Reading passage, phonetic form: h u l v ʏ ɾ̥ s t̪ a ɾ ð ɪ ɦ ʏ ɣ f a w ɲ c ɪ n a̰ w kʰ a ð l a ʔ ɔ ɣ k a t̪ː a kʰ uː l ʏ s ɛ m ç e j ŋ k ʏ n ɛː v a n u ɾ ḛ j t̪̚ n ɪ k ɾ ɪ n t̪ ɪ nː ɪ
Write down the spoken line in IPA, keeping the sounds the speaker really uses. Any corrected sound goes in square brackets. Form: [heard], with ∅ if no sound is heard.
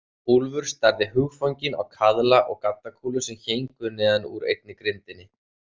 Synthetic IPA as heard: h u l v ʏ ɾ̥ s t̪ a ɾ ð ɪ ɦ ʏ ɣ f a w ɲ c ɪ n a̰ w kʰ a ð l a ʔ ɔ ɣ k a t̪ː a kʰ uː l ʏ s ɛ m ç e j ŋ k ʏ n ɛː [ð] a n u ɾ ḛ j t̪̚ n ɪ k ɾ ɪ n t̪ ɪ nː ɪ